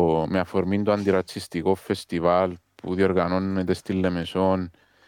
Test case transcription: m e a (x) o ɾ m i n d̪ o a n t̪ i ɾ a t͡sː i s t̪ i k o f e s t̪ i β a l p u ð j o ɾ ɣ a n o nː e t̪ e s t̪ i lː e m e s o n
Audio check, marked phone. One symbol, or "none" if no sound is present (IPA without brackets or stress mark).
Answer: f